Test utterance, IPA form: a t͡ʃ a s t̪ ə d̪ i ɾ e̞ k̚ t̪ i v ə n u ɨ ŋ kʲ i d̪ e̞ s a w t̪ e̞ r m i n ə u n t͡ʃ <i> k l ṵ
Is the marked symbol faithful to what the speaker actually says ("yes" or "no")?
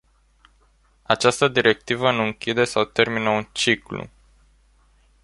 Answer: yes